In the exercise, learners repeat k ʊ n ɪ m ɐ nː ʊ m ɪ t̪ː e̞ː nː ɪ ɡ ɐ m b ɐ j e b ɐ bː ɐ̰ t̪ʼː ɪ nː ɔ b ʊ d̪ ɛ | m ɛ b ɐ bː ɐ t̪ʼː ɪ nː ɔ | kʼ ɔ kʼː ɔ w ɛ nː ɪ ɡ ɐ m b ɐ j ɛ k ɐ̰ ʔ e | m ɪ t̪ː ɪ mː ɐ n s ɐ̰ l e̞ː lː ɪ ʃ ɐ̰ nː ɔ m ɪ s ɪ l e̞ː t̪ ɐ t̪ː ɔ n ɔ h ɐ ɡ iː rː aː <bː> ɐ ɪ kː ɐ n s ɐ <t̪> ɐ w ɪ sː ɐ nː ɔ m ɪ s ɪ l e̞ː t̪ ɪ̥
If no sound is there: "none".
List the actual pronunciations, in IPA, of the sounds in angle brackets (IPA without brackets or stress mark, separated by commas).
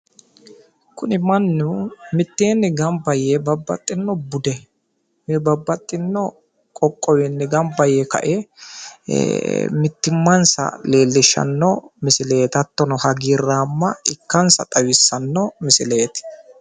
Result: mː, t̪ʼ